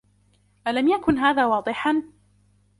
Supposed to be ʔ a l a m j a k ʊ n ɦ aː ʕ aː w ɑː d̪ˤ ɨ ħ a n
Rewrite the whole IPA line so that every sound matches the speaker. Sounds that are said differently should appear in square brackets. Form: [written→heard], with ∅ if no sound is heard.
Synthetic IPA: ʔ a l a m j a k ʊ n ɦ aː [ʕ→ð] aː w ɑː d̪ˤ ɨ ħ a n